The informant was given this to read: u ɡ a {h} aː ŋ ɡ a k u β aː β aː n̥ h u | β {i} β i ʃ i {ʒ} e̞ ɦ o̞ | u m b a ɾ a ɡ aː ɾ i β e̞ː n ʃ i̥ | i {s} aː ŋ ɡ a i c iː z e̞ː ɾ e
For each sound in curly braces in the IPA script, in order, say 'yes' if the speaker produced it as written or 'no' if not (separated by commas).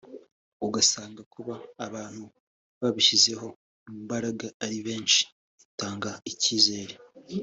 no, no, no, no